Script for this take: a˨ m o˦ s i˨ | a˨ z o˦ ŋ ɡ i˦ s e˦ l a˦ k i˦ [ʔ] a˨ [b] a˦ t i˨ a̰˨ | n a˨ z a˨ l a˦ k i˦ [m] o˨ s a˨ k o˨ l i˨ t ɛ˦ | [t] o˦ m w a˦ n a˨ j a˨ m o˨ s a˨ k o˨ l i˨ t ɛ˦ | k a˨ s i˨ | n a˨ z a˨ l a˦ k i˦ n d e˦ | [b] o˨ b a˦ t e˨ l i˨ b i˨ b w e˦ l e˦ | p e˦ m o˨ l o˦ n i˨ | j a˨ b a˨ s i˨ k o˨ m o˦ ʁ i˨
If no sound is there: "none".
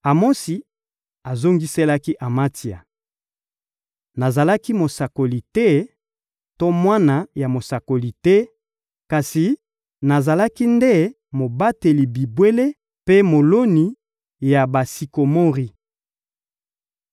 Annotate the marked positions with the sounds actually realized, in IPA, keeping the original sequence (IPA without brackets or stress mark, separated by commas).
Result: ʔ, m, m, t, m